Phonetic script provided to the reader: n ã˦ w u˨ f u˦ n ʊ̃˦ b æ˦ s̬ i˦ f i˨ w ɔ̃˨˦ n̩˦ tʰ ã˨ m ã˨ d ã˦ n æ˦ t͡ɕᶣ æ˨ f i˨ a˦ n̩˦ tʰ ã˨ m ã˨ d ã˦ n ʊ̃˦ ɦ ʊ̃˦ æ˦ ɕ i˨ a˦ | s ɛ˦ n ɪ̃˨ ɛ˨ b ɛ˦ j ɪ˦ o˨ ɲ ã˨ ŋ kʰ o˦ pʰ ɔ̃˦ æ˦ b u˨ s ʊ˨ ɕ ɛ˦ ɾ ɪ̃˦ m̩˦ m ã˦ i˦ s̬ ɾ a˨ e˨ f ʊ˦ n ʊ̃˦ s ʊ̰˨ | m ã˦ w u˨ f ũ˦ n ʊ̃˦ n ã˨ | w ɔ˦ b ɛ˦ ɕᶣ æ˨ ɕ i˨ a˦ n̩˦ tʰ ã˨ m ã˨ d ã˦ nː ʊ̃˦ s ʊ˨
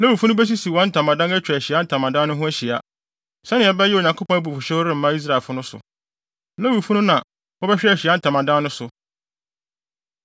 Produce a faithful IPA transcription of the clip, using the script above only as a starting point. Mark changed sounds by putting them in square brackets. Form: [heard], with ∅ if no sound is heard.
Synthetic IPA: n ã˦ w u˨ f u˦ n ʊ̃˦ b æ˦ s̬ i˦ [s] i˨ w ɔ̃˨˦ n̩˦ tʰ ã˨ m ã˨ d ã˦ n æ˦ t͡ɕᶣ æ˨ [ɕ] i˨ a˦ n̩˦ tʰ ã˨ m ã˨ d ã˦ n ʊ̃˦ ɦ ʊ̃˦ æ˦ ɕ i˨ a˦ | s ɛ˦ n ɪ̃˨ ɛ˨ b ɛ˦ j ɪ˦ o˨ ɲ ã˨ ŋ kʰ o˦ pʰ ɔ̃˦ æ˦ b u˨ [f] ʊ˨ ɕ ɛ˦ ɾ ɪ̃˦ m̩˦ m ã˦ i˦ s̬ ɾ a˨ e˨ f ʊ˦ n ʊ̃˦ s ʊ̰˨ | [n] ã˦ w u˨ f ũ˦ n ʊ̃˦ n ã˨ | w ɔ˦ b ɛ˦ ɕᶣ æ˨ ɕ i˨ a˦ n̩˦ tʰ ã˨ m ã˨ d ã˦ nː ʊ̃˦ s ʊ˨